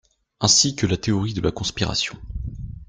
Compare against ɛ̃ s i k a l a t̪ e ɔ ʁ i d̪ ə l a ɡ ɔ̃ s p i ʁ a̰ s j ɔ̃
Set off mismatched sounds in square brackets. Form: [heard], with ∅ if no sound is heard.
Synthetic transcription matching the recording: ɛ̃ s i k [ə] l a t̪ e ɔ ʁ i d̪ ə l a [k] ɔ̃ s p i ʁ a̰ s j ɔ̃